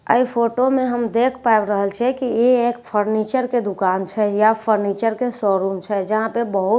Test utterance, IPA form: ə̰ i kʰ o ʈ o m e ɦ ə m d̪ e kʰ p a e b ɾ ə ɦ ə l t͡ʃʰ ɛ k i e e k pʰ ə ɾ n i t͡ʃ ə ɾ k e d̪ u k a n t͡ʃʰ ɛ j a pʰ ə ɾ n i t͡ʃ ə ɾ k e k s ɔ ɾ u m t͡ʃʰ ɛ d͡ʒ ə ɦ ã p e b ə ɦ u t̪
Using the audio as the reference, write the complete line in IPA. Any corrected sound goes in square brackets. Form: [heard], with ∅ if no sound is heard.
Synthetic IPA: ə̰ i [pʰ] o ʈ o m e ɦ ə m d̪ e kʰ p a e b ɾ ə ɦ ə l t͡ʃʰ ɛ k i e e k pʰ ə ɾ n i t͡ʃ ə ɾ k e d̪ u k a n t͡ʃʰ ɛ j a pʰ ə ɾ n i t͡ʃ ə ɾ k e [∅] s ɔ ɾ u m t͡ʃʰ ɛ d͡ʒ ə ɦ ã p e b ə ɦ u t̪